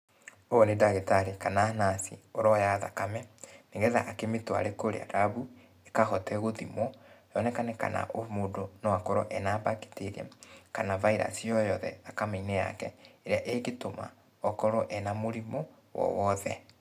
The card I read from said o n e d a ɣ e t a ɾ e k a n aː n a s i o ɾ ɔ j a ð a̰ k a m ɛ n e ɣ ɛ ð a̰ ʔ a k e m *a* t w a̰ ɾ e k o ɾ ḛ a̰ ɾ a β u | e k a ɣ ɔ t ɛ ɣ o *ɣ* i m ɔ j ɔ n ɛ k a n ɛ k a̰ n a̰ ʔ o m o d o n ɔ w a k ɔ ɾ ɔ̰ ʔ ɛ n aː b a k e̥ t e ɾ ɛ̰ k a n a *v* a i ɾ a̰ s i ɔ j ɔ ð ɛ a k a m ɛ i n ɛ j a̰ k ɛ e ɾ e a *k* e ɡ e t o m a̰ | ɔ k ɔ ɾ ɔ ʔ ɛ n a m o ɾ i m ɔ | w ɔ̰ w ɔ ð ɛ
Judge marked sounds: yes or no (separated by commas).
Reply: no, no, yes, no